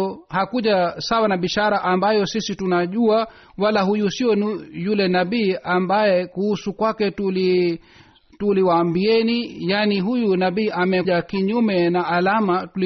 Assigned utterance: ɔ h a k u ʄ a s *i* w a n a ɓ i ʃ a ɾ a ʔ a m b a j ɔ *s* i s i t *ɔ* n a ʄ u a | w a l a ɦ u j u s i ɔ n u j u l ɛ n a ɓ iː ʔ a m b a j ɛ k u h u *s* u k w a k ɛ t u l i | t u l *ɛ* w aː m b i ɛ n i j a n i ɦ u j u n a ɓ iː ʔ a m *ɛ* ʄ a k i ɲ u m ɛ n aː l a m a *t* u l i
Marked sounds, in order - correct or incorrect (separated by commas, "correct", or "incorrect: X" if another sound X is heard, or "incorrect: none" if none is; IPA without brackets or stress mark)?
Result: incorrect: a, correct, incorrect: u, correct, incorrect: i, correct, correct